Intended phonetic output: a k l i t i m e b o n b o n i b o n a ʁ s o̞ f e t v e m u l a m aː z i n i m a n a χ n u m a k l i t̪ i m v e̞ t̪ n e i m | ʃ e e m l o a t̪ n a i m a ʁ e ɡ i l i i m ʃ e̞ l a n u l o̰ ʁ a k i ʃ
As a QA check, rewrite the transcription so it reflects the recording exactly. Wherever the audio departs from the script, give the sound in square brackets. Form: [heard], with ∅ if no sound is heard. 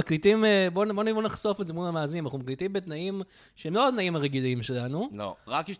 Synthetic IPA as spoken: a k l i t i m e b o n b o n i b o n a [χ] s o̞ f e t [z] e m u l a m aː z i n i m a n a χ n u m a k l i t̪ i m [b] e̞ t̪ n [a] i m | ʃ e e m l o a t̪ n a i m a ʁ e ɡ i l i i m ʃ e̞ l a n u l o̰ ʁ a k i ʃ